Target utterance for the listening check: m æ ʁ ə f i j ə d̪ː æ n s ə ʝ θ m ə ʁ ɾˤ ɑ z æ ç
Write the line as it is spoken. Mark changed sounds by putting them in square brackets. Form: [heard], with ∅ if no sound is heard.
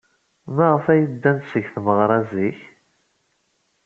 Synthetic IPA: m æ ʁ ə f [æ] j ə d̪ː æ n s ə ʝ θ m ə ʁ ɾˤ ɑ z [i] ç